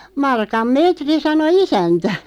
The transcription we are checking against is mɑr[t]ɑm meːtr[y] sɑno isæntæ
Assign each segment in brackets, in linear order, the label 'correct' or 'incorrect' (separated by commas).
incorrect, incorrect